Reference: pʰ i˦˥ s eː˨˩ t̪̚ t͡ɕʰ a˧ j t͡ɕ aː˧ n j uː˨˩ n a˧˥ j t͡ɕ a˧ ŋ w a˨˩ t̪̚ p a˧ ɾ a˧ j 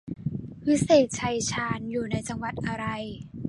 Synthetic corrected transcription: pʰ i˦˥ s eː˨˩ t̪̚ t͡ɕʰ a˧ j t͡ɕʰ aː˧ n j uː˨˩ n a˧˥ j t͡ɕ a˧ ŋ w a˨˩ t̪̚ ʔ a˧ ɾ a˧ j